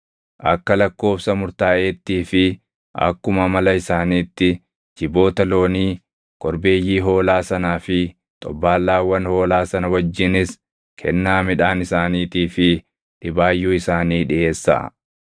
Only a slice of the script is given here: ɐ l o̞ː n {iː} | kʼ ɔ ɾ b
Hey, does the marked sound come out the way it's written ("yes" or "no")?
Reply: yes